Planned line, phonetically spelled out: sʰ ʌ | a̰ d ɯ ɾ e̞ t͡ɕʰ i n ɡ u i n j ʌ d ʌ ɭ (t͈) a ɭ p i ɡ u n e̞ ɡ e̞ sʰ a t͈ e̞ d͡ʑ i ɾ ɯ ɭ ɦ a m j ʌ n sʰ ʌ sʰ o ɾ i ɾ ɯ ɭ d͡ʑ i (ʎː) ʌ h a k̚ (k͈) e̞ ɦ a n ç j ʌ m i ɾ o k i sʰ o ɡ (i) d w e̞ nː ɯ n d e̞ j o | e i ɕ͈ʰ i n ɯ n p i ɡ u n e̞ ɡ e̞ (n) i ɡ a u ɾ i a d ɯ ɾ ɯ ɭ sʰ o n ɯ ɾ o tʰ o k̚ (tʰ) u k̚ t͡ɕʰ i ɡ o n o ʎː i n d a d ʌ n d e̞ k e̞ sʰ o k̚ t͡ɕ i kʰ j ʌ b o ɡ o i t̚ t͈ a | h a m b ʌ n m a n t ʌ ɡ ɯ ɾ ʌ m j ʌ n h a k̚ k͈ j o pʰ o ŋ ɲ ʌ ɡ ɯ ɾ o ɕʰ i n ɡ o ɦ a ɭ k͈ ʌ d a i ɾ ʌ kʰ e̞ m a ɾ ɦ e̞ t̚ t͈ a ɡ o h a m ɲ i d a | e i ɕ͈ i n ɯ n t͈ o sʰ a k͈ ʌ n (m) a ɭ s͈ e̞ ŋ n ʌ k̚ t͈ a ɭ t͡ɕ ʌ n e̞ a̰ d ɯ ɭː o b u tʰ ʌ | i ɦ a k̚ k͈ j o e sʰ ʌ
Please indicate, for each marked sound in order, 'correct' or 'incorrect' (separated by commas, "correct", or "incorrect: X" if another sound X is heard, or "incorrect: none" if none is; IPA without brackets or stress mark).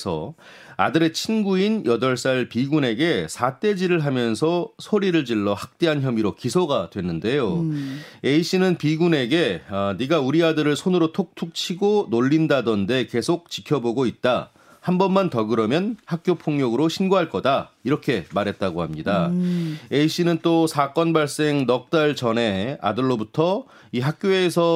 incorrect: s͈, incorrect: ɭː, incorrect: t͈, incorrect: a, correct, correct, incorrect: b